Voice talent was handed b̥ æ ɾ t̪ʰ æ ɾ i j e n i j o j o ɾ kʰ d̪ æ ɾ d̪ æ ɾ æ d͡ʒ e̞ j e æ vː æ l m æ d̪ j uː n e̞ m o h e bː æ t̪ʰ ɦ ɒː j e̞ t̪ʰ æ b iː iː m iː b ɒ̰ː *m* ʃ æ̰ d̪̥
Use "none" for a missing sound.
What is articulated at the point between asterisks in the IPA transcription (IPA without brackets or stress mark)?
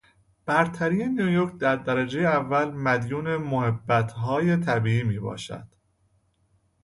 none